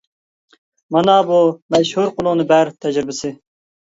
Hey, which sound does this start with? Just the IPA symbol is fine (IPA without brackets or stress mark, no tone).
m